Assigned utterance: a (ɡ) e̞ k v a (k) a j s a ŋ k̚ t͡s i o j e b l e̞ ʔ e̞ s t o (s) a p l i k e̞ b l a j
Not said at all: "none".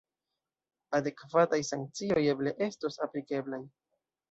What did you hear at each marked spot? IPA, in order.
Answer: d, t, s

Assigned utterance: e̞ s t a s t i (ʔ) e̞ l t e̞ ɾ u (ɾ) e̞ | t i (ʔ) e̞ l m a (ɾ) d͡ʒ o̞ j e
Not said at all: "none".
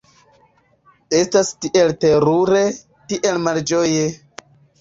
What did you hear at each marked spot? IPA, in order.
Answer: ʔ, ɾ, ʔ, l

